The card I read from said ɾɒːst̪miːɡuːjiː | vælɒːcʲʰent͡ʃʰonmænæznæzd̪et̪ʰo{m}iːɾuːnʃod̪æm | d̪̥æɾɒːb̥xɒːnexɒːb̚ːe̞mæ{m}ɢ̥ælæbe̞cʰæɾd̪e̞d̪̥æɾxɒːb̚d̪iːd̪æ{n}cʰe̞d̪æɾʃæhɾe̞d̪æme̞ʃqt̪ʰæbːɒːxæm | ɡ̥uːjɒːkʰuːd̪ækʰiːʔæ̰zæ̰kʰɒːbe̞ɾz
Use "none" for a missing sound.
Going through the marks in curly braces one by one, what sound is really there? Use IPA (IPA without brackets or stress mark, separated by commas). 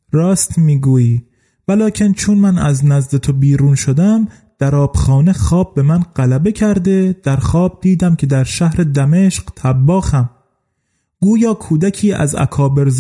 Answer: b, n, m